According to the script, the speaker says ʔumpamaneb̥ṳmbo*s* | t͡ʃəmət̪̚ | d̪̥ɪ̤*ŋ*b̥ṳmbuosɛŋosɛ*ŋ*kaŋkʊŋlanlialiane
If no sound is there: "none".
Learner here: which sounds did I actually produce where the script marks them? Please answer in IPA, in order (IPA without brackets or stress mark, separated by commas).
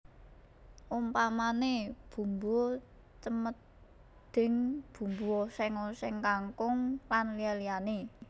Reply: none, ŋ, ŋ